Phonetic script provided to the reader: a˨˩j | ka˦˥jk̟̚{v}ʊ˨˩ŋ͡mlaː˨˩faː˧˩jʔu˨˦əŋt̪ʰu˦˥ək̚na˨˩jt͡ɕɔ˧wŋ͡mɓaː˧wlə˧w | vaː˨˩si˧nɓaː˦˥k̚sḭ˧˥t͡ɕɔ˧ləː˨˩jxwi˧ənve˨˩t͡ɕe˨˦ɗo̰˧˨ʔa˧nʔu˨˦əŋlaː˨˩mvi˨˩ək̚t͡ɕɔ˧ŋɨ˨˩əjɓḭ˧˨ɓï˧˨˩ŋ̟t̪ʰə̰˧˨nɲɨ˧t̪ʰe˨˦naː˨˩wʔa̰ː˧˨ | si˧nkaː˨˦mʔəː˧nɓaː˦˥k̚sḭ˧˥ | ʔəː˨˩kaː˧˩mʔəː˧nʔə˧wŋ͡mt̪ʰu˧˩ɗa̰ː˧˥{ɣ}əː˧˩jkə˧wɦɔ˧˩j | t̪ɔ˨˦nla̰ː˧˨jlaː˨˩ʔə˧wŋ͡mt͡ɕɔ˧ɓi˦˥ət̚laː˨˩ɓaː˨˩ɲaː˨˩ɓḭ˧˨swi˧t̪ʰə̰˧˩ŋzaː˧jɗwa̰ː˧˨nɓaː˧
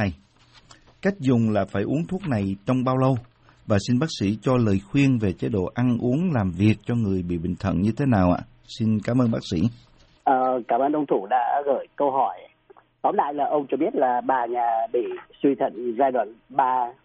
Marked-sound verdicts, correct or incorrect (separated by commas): incorrect, correct